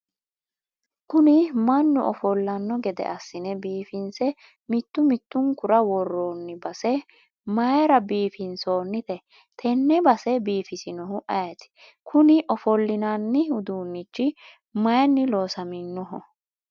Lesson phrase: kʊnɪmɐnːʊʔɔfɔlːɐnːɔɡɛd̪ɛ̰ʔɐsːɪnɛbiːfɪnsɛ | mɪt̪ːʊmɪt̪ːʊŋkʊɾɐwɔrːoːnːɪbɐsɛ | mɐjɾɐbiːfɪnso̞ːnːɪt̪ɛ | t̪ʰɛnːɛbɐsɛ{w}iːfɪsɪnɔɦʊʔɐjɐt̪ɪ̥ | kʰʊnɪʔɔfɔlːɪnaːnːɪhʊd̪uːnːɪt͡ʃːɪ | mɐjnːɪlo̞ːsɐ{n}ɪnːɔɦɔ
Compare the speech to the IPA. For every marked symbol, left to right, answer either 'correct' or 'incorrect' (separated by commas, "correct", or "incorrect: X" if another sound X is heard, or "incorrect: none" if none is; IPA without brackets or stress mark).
incorrect: b, incorrect: m